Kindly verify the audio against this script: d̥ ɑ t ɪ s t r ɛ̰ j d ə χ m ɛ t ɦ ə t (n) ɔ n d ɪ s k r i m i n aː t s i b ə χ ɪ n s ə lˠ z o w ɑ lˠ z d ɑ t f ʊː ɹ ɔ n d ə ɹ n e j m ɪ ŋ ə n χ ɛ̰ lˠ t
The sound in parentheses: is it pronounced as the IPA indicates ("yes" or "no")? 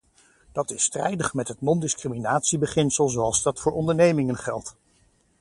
yes